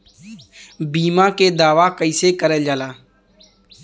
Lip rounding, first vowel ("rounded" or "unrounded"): unrounded